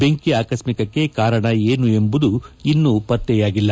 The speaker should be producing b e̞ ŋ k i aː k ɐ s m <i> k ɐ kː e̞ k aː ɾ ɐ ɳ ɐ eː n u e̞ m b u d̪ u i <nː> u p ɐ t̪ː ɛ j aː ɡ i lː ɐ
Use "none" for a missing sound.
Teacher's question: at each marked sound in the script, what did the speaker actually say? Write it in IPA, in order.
i, nː

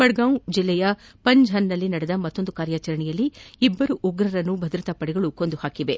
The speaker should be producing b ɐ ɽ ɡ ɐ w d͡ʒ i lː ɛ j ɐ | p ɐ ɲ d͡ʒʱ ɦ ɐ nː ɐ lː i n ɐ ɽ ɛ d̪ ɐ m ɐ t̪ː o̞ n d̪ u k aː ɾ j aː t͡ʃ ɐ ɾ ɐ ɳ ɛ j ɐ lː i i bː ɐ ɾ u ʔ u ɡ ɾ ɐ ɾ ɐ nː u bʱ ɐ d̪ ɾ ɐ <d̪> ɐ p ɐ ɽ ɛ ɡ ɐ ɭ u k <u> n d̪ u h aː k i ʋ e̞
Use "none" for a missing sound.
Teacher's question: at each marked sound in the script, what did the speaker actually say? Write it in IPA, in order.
t̪, o

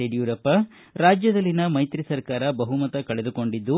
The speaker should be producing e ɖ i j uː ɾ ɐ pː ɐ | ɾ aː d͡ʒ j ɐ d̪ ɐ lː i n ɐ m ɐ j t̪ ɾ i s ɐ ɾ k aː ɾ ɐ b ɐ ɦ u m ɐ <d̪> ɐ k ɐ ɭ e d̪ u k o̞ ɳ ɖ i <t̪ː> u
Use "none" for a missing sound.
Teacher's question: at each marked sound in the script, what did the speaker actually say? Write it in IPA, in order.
t̪, d̪ː

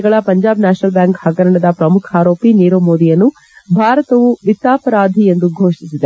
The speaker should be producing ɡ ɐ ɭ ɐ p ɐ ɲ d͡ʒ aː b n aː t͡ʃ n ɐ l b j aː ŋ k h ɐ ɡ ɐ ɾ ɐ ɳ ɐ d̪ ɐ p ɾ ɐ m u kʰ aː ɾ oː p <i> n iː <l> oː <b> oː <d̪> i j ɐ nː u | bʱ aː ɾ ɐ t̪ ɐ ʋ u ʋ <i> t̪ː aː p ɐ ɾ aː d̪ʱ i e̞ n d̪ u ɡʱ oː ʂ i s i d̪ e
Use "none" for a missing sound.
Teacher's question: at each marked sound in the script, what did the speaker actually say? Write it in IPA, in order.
i, ɾ, m, d̪, i

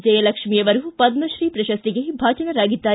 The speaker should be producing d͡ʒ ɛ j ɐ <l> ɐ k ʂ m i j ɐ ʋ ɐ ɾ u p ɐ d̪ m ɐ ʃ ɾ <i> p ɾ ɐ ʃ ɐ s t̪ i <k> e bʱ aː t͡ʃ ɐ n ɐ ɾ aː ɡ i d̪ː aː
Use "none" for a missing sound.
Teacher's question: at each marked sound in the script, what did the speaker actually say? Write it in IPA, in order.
l, iː, ɡ

